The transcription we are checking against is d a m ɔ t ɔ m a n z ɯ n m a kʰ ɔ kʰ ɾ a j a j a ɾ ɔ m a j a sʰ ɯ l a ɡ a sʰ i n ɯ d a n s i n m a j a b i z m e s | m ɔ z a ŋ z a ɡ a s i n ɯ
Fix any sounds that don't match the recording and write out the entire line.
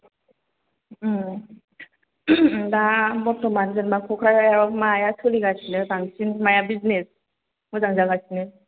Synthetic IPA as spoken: d a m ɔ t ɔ m a n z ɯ n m a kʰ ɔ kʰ ɾ a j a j a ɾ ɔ m a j a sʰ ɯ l i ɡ a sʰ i n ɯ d a ŋ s i n m a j a b i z n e s | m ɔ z a ŋ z a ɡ a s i n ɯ